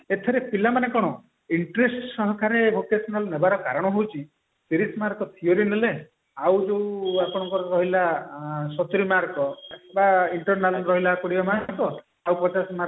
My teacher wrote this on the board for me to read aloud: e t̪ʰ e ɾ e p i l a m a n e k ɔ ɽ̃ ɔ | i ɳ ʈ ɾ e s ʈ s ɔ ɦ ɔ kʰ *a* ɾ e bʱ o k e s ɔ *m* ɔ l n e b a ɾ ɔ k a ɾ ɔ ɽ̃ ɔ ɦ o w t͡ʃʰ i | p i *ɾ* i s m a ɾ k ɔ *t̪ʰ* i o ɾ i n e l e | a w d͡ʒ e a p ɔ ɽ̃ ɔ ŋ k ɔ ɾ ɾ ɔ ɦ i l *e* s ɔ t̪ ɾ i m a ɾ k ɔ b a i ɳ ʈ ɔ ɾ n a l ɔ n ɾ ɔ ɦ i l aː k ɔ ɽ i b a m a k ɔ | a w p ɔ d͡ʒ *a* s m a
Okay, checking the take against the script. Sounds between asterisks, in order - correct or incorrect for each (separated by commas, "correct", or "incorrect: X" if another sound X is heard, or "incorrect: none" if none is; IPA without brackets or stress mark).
correct, incorrect: n, correct, correct, incorrect: a, correct